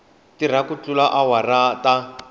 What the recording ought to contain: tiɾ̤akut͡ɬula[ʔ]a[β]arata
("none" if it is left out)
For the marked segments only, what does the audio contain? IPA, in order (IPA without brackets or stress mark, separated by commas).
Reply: ʔ, w